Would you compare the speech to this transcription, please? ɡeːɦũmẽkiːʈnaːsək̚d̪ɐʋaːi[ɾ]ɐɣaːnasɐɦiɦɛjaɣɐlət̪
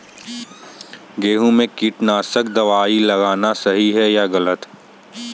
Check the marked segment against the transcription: incorrect: l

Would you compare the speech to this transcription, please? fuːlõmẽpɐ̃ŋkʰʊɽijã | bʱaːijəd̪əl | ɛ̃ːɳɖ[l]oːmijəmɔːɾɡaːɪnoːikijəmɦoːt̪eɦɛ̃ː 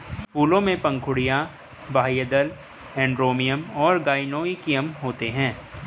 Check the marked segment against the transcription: incorrect: ɾ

